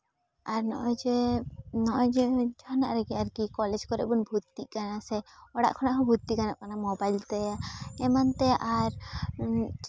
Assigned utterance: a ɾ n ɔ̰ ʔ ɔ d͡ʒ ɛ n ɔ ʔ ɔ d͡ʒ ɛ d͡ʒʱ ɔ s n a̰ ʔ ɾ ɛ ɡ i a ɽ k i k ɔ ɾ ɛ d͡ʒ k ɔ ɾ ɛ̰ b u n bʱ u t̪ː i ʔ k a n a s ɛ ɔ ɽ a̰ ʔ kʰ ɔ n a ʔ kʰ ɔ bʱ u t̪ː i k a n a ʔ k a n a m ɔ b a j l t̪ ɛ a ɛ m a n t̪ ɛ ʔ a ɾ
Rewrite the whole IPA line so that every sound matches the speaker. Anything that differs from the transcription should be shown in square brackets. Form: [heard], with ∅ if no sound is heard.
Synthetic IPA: a ɾ n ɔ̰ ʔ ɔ d͡ʒ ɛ n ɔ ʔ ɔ d͡ʒ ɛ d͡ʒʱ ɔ [∅] n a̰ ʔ ɾ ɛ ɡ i a [ɾ] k i k ɔ [l] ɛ d͡ʒ k ɔ ɾ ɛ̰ b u n bʱ u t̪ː i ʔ k a n a s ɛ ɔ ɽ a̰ ʔ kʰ ɔ n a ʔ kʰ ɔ bʱ u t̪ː i k a n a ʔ k a n a m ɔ b a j l t̪ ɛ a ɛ m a n t̪ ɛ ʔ a ɾ